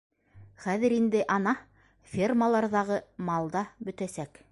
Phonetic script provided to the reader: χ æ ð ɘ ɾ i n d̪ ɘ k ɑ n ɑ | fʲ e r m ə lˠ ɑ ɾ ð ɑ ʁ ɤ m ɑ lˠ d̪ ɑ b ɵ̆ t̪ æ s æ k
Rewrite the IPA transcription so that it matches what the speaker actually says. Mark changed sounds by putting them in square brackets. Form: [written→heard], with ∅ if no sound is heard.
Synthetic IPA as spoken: χ æ ð ɘ ɾ i n d̪ ɘ [k→ʔ] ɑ n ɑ | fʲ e r m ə lˠ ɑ ɾ ð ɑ ʁ ɤ m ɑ lˠ d̪ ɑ b ɵ̆ t̪ æ s æ k